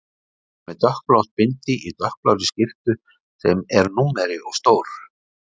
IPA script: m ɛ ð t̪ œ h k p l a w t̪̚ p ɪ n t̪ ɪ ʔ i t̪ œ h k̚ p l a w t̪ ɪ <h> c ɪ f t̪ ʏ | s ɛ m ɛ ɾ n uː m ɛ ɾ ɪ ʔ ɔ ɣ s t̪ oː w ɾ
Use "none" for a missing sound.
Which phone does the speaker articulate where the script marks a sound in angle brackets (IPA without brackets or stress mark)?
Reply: s